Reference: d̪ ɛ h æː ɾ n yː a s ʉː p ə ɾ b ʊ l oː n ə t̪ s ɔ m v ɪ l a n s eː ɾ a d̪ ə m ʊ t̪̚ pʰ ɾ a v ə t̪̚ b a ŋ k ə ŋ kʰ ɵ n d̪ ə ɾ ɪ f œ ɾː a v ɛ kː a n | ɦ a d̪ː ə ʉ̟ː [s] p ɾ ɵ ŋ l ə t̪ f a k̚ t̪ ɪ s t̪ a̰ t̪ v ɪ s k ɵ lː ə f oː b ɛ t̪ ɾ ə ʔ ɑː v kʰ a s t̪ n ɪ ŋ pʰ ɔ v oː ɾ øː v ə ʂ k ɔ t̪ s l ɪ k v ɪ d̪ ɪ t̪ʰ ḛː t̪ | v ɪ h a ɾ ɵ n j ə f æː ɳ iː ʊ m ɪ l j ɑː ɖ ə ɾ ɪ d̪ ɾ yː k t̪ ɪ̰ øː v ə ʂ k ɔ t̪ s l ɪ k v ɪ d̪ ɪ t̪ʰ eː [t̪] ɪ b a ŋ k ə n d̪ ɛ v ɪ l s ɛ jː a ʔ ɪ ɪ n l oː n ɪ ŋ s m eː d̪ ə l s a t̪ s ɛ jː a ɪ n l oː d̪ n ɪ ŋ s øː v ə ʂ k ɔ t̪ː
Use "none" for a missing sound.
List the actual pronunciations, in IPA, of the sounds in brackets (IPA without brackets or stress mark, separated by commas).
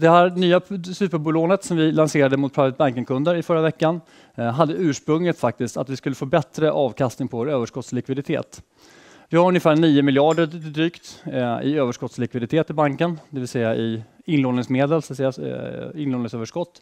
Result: ʂ, t̪